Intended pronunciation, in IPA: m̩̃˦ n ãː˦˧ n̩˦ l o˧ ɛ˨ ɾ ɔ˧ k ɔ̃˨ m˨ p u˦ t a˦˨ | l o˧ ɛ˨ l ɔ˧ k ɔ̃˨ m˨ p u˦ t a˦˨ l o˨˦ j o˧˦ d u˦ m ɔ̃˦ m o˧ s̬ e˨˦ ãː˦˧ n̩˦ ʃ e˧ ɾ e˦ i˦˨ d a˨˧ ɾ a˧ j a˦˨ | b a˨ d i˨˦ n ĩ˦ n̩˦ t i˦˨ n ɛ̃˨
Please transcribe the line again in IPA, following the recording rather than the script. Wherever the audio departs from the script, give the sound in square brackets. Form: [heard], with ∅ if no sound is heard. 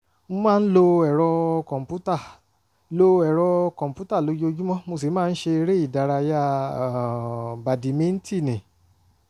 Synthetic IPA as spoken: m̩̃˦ [m] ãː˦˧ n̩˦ l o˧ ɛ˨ ɾ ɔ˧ k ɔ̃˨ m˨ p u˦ t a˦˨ | l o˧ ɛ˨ [ɾ] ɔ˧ k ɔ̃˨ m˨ p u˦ t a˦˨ l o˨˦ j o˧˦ [d͡ʒ] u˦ m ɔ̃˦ m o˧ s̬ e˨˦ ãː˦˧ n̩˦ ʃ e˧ ɾ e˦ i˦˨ d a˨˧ ɾ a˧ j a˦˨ | b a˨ d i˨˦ [m] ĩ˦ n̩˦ t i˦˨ n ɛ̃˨